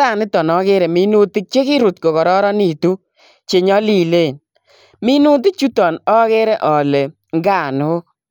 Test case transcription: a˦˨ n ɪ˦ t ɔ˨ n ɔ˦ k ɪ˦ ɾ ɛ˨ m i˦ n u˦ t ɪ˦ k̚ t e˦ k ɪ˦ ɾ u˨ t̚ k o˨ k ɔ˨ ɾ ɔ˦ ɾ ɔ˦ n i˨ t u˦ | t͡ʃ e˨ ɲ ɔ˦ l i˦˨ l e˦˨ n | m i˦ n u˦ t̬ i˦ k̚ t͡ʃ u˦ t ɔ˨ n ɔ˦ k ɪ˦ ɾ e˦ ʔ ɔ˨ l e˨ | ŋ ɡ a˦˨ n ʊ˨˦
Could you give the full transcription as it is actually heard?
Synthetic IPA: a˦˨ n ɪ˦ t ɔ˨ n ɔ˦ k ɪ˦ ɾ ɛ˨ m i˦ n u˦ t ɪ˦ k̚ t͡ʃ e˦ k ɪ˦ ɾ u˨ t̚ k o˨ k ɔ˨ ɾ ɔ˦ ɾ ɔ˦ n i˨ t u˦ | t͡ʃ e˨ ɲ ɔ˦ l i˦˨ l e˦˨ n | m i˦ n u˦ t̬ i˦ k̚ t͡ʃ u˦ t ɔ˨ n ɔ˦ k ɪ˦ ɾ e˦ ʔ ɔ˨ l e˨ | ŋ ɡ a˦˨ n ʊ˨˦